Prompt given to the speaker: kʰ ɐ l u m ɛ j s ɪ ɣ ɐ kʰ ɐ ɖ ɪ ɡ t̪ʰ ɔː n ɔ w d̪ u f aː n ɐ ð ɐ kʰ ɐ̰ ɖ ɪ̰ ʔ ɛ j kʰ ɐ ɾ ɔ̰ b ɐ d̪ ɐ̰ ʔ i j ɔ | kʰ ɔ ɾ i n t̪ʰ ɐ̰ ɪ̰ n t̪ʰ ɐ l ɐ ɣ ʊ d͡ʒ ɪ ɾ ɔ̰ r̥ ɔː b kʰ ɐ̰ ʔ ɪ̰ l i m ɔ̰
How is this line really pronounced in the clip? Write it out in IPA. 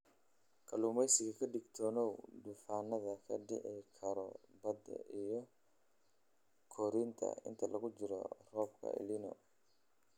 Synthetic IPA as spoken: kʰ ɐ l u m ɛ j s ɪ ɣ ɐ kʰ ɐ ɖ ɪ ɡ t̪ʰ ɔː n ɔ w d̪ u f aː n ɐ ð ɐ kʰ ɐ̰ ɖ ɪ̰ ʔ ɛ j kʰ ɐ ɾ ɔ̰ b ɐ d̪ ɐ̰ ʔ i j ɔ | kʰ ɔ ɾ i n t̪ʰ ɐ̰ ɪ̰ n t̪ʰ ɐ l ɐ ɣ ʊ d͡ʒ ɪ ɾ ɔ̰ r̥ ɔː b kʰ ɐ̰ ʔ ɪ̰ l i n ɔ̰